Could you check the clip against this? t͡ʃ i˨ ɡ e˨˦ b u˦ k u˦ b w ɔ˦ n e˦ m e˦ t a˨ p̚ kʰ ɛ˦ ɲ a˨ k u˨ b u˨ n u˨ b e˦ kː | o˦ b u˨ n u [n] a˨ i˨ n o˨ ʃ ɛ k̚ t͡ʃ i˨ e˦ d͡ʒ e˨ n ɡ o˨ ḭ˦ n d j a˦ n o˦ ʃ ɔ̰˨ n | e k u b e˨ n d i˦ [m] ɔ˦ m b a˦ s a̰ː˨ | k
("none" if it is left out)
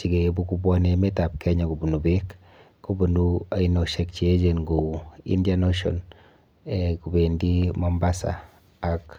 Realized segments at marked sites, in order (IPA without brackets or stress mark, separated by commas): none, m